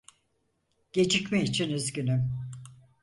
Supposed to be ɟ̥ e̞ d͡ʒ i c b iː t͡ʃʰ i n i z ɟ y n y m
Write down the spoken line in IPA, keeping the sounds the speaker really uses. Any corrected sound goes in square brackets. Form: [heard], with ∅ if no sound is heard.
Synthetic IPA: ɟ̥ e̞ d͡ʒ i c [m] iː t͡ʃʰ i n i z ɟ y n y m